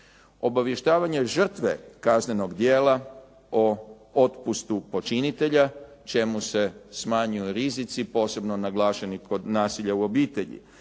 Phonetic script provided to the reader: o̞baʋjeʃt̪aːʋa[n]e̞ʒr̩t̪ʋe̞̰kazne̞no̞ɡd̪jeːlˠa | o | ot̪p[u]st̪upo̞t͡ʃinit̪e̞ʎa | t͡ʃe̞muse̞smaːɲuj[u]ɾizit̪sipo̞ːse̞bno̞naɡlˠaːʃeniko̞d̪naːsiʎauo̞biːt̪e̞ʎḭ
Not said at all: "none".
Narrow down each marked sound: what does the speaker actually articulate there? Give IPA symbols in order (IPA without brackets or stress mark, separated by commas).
ɲ, u, u